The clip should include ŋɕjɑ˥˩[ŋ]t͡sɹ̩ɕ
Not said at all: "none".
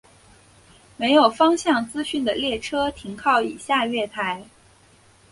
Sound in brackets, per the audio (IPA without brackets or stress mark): ŋ